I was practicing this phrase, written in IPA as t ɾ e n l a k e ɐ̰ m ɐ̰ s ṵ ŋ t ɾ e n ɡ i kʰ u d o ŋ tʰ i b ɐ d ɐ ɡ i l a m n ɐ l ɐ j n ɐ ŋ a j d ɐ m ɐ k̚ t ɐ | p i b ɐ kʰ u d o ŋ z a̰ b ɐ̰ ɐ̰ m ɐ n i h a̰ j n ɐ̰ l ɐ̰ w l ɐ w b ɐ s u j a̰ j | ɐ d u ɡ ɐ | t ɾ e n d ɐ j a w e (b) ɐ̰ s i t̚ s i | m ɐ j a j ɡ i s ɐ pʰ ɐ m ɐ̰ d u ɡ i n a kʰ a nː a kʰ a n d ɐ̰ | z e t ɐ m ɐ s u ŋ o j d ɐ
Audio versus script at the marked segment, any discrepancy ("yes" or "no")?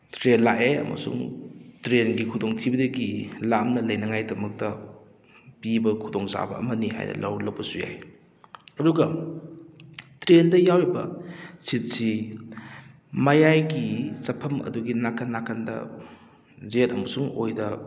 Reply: no